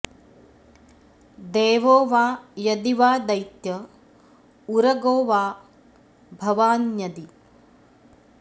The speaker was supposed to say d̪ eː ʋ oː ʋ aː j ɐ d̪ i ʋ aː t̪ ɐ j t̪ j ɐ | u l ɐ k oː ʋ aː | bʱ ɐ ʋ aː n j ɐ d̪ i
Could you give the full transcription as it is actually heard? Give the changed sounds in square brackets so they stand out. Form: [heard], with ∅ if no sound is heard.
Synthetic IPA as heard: d̪ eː ʋ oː ʋ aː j ɐ d̪ i ʋ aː [d̪] ɐ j t̪ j ɐ | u [ɾ] ɐ [ɡ] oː ʋ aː | bʱ ɐ ʋ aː n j ɐ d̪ i